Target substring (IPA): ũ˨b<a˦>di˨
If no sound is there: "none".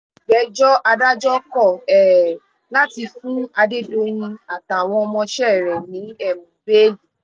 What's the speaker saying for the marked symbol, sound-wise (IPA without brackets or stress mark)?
e˦